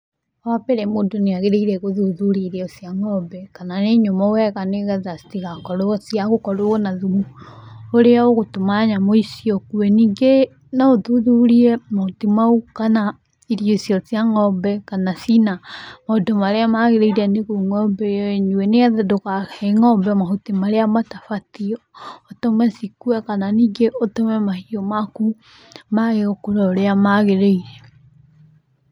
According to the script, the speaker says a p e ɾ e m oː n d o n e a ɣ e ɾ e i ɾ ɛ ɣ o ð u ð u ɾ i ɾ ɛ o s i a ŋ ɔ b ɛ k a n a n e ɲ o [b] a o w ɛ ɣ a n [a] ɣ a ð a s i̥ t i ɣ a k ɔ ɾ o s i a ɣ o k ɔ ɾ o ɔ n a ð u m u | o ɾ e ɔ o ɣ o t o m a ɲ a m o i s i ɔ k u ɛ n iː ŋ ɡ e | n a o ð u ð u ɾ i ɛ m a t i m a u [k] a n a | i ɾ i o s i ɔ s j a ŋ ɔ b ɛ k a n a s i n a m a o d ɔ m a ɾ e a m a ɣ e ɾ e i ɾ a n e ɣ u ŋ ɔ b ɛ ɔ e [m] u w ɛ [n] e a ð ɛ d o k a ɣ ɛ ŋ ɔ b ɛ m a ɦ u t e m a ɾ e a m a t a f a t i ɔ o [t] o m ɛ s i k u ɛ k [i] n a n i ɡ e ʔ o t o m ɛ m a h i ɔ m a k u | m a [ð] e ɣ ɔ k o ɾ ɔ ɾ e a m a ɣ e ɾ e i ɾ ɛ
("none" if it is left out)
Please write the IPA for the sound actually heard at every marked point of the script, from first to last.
m, e, k, ɲ, n, t, a, ɣ

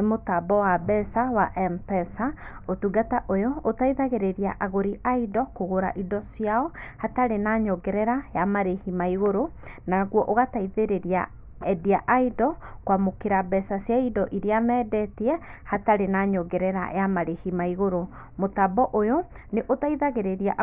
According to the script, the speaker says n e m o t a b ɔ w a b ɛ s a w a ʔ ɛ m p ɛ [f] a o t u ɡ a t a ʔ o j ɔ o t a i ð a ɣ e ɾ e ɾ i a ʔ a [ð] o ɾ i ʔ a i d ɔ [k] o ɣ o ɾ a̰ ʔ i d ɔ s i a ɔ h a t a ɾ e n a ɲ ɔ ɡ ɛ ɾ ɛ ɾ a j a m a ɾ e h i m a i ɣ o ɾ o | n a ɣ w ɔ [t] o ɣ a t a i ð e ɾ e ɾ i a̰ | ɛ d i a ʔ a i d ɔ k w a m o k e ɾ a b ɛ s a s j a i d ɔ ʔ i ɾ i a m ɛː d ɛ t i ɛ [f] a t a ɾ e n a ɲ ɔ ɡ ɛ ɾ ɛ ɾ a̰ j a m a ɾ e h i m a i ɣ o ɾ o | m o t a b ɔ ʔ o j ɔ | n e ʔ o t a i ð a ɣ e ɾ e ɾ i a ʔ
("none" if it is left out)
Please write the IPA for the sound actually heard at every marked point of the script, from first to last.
s, ɣ, k, ʔ, h

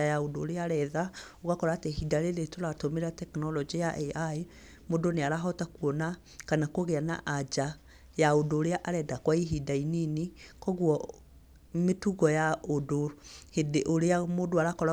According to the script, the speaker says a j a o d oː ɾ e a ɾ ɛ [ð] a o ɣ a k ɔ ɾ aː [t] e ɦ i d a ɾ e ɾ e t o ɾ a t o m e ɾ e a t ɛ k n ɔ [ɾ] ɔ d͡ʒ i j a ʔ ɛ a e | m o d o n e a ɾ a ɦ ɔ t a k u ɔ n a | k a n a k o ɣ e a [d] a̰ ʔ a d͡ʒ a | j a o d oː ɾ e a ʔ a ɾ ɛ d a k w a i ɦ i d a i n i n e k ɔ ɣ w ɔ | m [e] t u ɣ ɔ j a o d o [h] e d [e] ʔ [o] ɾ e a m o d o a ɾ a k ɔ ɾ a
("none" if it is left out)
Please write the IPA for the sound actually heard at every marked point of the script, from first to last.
ð, t, l, n, e, h, e, o

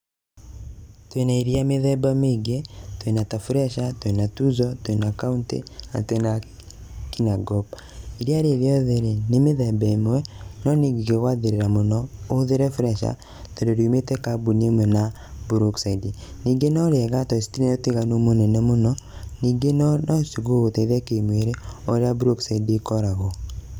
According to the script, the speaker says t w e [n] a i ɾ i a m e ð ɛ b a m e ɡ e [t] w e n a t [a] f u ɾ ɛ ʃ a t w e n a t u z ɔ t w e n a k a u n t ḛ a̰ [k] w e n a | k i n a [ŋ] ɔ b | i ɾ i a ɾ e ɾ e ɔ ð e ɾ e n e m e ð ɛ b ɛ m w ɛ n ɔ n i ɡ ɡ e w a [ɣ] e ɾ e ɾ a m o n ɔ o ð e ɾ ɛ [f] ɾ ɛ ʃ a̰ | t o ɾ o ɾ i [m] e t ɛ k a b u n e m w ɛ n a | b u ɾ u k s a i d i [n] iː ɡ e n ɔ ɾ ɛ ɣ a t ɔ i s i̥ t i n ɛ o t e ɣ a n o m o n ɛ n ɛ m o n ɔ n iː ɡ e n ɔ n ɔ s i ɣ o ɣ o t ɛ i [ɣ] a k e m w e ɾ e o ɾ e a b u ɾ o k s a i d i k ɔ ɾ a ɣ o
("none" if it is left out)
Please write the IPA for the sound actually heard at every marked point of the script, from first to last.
n, t, a, t, ɡ, ð, f, m, n, ð

